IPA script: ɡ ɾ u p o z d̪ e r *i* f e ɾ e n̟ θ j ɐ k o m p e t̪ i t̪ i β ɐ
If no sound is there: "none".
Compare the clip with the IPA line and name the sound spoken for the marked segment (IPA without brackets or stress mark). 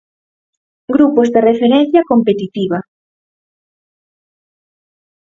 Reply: e